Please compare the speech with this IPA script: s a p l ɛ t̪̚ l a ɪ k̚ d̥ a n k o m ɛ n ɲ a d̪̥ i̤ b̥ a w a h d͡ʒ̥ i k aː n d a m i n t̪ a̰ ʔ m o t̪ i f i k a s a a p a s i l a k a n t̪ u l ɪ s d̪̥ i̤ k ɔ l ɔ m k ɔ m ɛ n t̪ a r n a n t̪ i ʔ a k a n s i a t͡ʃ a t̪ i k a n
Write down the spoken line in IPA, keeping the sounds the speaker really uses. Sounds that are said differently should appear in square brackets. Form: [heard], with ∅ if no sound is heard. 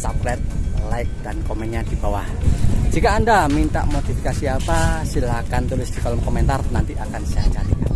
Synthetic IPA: s a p l ɛ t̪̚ l a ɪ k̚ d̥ a n k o m ɛ n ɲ a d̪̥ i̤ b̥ a w a h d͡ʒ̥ i k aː n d a m i n t̪ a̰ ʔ m o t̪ i f i k a s [i] a p a s i l a k a n t̪ u l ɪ s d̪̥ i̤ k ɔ l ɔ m k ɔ m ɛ n t̪ a r n a n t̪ i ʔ a k a n s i a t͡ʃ a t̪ i k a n